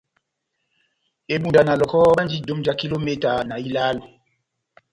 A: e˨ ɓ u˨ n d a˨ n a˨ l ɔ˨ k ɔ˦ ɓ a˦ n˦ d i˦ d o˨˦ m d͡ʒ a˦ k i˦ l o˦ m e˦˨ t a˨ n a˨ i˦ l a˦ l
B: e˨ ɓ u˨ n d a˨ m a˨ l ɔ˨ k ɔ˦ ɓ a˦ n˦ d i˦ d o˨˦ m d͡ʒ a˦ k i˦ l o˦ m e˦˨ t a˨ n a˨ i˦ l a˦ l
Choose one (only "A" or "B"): A